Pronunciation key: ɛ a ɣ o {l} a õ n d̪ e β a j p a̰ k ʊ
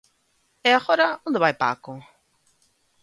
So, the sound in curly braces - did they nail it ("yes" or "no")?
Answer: no